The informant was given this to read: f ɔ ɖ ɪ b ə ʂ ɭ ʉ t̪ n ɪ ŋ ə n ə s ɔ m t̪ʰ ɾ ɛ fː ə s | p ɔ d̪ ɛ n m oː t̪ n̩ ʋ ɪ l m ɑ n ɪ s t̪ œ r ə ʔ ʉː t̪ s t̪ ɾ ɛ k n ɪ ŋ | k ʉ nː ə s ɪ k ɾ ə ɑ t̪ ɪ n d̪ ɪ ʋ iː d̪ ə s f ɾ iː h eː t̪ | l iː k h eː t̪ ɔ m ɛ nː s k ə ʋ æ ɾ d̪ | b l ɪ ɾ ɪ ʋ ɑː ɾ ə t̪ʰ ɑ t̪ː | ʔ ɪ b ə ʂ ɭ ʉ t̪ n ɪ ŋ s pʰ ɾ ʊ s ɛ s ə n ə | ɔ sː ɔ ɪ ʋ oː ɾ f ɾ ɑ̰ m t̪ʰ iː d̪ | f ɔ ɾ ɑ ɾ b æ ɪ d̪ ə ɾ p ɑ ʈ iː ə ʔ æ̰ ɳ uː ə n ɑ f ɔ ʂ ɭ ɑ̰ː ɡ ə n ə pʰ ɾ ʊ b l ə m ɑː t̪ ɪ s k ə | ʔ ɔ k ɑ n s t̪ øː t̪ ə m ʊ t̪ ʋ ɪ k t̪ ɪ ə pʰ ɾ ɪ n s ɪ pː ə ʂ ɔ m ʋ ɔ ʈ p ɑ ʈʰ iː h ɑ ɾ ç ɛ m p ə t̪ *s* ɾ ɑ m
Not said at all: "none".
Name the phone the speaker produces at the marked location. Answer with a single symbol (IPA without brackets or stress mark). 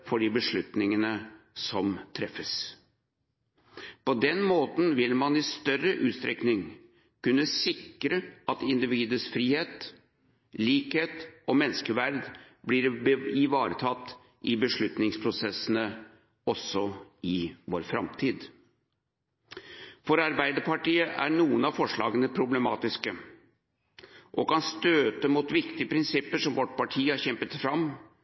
f